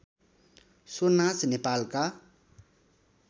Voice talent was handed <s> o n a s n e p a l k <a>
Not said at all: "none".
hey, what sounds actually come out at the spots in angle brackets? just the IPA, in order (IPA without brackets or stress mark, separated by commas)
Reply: s, a